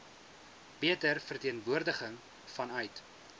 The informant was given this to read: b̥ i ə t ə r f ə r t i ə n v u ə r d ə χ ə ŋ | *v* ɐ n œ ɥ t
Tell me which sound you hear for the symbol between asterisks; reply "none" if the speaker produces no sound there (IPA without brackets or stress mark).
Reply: f